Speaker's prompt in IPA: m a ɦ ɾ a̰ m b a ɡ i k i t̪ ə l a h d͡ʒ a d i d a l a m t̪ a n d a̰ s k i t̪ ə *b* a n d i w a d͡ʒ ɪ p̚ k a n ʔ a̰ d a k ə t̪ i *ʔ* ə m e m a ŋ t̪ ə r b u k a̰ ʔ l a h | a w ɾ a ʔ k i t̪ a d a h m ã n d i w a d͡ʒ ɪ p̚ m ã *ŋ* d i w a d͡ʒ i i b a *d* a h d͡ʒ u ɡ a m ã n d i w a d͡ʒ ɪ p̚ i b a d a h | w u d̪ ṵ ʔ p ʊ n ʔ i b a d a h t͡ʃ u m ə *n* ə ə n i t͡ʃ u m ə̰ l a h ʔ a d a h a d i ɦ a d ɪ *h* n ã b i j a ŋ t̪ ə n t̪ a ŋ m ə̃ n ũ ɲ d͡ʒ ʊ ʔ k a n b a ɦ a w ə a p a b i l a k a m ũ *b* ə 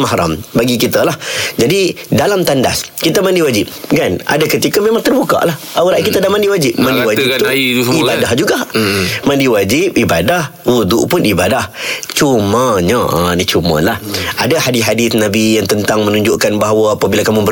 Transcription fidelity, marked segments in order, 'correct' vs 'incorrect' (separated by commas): incorrect, incorrect, incorrect, correct, incorrect, incorrect, correct